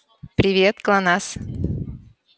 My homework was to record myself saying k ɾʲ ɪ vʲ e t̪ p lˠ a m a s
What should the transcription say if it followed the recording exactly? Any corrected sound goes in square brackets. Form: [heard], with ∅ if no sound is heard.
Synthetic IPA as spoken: [p] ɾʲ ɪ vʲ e t̪ [k] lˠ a [n] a s